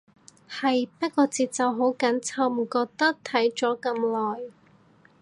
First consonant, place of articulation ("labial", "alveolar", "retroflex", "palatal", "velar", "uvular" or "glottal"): glottal